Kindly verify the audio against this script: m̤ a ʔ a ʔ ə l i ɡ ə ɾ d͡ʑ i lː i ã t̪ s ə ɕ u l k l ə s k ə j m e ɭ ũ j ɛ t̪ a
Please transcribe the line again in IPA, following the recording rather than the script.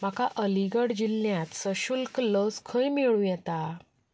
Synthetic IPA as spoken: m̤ a k a ʔ ə l i ɡ ə ɽ d͡ʑ i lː j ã t̪ s ə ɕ u l k l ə s kʰ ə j m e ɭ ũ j ɛ t̪ a